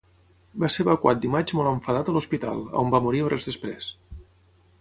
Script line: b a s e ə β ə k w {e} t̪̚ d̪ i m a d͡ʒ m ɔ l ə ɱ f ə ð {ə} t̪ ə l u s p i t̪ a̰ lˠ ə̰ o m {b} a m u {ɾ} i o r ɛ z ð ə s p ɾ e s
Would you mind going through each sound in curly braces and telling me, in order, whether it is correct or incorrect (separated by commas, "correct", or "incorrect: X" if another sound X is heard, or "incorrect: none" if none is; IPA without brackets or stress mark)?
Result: incorrect: a, incorrect: a, correct, correct